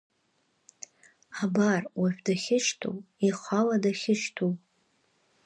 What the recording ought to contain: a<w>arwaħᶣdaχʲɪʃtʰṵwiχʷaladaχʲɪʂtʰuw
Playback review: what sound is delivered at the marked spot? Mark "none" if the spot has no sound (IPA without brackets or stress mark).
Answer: b